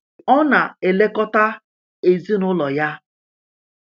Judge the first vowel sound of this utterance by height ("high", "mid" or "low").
mid